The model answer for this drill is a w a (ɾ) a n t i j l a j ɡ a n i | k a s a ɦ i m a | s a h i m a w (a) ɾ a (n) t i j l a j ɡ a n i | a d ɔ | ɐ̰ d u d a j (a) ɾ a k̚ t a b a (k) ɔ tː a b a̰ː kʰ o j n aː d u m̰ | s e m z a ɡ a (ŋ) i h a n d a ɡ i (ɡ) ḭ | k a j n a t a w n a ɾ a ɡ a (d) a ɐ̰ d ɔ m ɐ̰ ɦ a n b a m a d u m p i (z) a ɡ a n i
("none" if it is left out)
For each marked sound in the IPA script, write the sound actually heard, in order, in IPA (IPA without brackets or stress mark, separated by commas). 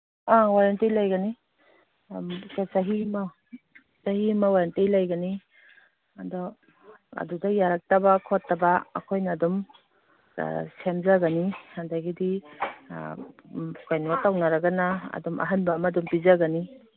ɾ, a, n, a, kʰ, n, d, n, z